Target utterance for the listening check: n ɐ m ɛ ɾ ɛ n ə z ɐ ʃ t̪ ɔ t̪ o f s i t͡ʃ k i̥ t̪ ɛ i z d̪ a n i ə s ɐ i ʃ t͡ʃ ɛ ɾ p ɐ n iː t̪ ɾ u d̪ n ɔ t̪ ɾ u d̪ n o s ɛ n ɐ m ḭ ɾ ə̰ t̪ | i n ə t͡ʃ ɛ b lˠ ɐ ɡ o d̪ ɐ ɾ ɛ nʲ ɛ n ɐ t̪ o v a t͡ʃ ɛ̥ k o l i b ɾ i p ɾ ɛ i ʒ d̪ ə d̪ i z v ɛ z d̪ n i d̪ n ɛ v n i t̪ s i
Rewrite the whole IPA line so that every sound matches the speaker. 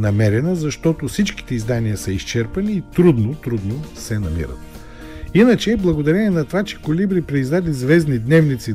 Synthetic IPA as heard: n ɐ m ɛ ɾ ɛ n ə z ɐ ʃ t̪ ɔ t̪ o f s i t͡ʃ k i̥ t̪ ɛ i z d̪ a n i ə s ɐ i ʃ t͡ʃ ɛ ɾ p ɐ n iː t̪ ɾ u d̪ n o t̪ ɾ u d̪ n o s ɛ n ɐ m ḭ ɾ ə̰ t̪ | i n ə t͡ʃ ɛ b lˠ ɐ ɡ o d̪ ɐ ɾ ɛ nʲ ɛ n ɐ t̪ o v a t͡ʃ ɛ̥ k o l i b ɾ i p ɾ ɛ i z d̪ a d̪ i z v ɛ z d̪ n i d̪ n ɛ v n i t̪ s i